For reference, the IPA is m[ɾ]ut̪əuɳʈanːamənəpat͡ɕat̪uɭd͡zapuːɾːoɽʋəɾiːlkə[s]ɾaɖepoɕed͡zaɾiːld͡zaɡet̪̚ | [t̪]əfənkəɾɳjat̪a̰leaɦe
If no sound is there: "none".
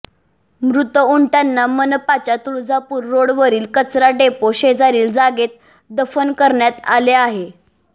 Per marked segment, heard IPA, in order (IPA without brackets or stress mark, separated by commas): ɾ, t͡s, d̪